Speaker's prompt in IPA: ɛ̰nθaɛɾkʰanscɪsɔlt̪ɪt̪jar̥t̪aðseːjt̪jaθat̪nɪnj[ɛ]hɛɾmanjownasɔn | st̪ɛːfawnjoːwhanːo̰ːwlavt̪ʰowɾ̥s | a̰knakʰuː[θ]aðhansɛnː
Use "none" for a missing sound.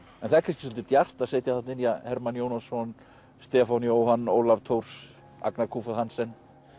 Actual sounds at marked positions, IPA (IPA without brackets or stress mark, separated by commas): a, f